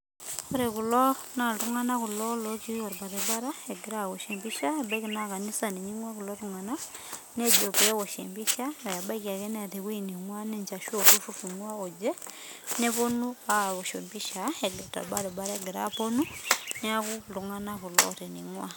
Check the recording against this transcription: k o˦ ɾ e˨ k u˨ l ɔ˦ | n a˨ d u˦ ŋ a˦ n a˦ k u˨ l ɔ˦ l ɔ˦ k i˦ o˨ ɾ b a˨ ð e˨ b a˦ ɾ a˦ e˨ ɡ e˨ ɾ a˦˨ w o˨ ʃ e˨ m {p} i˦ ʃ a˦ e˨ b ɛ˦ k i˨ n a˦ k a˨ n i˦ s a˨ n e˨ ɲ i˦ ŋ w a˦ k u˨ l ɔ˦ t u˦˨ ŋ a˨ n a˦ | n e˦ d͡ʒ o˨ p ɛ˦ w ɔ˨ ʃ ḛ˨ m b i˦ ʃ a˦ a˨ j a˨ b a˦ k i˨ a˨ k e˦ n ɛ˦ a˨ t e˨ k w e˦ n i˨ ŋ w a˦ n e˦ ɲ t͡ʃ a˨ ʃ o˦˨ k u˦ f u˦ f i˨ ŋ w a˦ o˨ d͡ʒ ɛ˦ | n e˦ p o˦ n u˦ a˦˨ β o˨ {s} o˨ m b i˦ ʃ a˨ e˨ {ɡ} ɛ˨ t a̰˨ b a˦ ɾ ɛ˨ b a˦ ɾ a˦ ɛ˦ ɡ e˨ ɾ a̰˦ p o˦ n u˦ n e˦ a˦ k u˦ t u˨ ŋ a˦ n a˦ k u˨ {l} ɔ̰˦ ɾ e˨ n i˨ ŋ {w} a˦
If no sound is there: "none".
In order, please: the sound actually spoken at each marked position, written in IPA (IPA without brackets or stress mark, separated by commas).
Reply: b, ʃ, ɡ, l, w